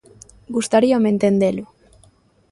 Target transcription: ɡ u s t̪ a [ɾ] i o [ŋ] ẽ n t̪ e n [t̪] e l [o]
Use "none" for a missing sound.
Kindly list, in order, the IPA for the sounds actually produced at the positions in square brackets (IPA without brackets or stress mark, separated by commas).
ɾ, m, d̪, u